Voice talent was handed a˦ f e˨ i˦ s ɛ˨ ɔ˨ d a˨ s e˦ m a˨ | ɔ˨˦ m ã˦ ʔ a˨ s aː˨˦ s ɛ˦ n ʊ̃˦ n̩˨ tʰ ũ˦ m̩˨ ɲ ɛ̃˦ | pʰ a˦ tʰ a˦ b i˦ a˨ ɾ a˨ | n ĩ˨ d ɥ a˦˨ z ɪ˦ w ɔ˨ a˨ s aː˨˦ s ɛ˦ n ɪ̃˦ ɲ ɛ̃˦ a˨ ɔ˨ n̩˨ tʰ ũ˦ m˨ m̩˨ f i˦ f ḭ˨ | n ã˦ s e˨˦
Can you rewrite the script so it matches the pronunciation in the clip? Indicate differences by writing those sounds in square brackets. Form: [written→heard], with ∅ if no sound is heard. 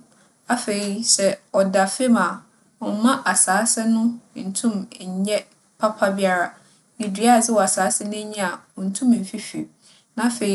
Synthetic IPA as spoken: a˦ f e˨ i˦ s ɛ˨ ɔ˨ d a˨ [s→f] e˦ m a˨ | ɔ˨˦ m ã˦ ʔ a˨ s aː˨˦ s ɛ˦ n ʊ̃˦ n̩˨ tʰ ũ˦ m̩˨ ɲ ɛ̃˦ | pʰ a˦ [tʰ→pʰ] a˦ b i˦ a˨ ɾ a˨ | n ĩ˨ d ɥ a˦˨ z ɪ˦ w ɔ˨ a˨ s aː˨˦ s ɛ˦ n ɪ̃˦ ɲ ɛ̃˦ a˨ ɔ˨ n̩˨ tʰ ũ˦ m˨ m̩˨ f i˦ f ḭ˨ | n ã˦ [s→f] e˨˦